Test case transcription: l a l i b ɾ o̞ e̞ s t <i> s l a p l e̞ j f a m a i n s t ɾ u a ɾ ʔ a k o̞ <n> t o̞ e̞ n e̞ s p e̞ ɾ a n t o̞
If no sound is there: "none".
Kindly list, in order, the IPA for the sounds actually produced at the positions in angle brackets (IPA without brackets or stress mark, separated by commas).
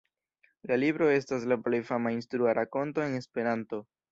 a, n